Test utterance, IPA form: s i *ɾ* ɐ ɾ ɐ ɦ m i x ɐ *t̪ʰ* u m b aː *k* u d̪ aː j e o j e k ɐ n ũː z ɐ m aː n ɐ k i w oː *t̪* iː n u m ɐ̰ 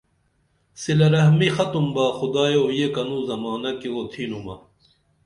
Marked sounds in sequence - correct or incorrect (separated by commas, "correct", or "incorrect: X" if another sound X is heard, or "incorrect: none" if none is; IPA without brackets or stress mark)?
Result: incorrect: l, incorrect: t̪, incorrect: x, incorrect: t̪ʰ